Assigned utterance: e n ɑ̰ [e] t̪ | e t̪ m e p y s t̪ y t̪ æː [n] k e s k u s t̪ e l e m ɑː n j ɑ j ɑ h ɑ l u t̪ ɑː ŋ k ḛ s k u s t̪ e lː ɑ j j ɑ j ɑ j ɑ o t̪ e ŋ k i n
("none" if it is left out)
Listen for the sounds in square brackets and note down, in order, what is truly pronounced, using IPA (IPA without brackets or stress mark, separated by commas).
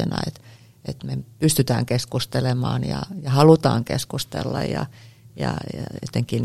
e, ŋ